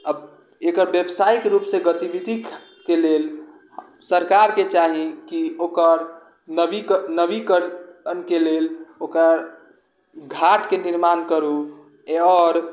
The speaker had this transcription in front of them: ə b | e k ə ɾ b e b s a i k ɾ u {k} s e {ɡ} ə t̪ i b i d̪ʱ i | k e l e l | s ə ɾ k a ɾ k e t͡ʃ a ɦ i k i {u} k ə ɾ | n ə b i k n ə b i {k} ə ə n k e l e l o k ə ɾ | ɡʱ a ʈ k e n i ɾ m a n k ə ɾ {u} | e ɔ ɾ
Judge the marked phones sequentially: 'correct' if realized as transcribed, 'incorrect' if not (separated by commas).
incorrect, correct, incorrect, correct, correct